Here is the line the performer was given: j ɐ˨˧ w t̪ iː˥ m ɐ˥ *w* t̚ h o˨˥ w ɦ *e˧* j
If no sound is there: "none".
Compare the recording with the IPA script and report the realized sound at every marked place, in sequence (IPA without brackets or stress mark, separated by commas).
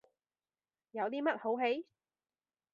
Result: none, e˨˥